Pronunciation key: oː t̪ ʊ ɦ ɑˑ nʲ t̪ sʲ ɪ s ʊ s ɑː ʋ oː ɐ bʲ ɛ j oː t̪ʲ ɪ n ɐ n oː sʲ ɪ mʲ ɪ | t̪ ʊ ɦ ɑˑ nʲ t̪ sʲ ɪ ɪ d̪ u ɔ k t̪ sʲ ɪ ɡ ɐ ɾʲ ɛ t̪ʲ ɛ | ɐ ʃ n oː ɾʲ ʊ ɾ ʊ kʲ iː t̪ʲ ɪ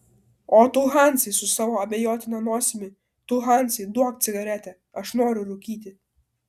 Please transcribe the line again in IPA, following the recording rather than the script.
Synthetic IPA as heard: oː t̪ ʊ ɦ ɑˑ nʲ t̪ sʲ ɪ s ʊ s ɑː ʋ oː ɐ bʲ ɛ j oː t̪ʲ ɪ n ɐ n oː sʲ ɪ mʲ ɪ | t̪ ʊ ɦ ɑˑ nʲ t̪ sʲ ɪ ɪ d̪ u ɔ k t̪ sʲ ɪ ɡ ɐ ɾʲ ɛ t̪ʲ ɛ | ɐ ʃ n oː ɾʲ ʊ ɾ ʊ kʲ iː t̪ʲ ɪ